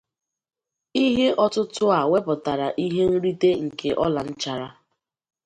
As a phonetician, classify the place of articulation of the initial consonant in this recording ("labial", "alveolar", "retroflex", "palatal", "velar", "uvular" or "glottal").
glottal